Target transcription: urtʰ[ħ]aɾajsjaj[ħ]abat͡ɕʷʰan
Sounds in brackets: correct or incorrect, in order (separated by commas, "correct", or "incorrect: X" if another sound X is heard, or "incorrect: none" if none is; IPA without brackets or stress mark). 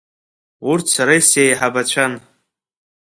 incorrect: s, correct